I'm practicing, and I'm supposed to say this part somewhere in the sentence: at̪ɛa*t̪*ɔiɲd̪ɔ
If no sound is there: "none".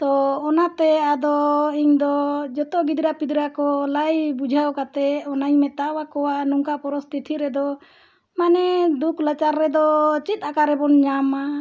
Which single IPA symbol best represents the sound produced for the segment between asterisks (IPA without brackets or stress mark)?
d̪